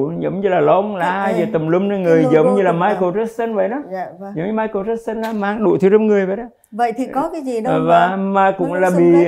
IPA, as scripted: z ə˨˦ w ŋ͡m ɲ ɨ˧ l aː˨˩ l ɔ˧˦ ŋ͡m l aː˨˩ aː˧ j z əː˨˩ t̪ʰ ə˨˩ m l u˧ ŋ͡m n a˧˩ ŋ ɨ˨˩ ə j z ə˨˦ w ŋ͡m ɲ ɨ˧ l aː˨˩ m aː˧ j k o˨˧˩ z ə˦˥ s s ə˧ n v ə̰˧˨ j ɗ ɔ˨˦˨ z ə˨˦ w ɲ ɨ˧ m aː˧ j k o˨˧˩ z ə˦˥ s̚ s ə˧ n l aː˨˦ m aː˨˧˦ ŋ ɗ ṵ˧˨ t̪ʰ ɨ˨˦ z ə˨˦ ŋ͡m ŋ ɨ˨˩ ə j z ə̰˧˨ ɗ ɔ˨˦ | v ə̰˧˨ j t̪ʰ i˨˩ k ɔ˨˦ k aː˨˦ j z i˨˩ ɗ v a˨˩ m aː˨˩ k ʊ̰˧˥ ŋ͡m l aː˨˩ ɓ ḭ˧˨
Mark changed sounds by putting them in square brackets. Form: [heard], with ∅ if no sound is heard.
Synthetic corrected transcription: z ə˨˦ w ŋ͡m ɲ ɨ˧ l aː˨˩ l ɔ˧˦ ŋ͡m l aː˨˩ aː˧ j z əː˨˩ [t̪] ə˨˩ m l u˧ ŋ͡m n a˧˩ ŋ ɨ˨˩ ə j z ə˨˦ w ŋ͡m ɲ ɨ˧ l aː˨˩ m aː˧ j k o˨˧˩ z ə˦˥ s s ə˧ n v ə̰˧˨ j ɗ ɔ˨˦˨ z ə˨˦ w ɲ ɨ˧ m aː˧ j k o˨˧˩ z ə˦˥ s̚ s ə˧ n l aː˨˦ m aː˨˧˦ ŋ ɗ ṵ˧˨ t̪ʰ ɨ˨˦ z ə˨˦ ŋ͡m ŋ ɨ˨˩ ə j [v] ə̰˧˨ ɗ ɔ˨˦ | v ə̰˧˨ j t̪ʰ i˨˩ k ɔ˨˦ k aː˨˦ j z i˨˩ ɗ v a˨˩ m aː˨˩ k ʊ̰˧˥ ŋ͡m l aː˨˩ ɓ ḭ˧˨